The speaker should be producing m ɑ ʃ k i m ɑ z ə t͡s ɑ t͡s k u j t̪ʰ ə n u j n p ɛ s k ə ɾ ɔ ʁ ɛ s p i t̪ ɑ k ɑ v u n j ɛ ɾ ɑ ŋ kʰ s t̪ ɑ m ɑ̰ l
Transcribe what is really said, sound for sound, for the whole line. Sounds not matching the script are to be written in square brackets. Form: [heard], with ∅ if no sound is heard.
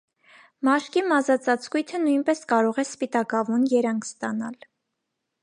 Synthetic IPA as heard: m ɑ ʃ k i m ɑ z [ɑ] t͡s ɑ t͡s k u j t̪ʰ ə n u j n p ɛ s k [ɑ] ɾ ɔ ʁ ɛ s p i t̪ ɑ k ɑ v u n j ɛ ɾ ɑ ŋ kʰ s t̪ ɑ [n] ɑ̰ l